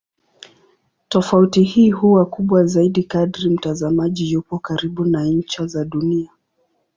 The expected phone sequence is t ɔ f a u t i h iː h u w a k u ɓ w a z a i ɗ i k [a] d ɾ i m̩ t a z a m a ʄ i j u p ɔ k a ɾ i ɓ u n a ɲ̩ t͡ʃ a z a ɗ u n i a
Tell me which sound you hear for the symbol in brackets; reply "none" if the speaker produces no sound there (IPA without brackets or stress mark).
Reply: a